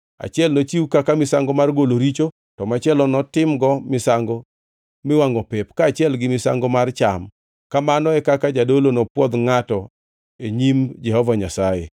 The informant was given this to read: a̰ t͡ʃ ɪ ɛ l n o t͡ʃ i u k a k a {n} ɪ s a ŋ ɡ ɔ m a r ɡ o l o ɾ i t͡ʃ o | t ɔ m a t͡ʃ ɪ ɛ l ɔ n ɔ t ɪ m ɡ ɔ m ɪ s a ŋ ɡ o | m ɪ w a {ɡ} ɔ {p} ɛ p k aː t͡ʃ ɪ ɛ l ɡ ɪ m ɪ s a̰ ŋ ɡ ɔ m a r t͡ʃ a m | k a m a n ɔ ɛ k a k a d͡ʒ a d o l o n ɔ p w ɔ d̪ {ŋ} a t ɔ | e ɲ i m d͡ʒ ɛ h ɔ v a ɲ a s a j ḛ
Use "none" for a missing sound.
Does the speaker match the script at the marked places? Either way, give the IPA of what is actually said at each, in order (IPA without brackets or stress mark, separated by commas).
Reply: m, ŋ, p, ŋ